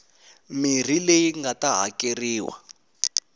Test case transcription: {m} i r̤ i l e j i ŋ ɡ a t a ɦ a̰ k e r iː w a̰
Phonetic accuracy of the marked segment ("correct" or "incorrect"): correct